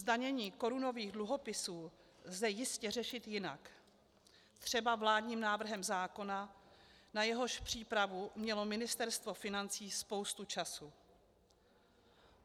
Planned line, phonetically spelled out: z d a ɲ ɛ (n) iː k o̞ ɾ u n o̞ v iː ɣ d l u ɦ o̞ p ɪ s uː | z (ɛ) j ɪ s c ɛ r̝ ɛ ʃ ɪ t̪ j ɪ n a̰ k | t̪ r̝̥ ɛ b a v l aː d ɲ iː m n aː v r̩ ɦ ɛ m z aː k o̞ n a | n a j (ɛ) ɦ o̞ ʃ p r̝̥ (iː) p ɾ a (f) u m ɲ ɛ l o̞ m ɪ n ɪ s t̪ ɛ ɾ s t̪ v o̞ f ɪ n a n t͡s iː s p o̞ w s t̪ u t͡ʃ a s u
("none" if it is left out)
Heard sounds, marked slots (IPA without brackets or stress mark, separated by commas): ɲ, ɛ, ɛ, iː, v